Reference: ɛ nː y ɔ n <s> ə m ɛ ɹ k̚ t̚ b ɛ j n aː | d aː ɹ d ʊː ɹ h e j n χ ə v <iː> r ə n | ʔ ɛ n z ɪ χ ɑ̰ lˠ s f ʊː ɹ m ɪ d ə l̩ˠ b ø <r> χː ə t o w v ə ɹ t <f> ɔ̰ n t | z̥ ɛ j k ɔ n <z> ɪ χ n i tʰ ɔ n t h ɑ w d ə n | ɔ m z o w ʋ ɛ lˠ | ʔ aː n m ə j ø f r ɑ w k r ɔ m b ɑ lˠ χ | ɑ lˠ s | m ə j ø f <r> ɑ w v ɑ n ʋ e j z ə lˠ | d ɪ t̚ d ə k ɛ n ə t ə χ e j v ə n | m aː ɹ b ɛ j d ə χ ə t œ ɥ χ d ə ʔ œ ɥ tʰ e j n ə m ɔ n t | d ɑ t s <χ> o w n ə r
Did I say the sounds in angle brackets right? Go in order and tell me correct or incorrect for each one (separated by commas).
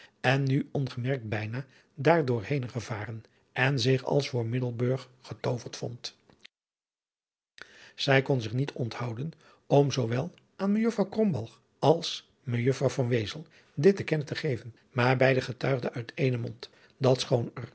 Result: incorrect, incorrect, incorrect, correct, correct, correct, correct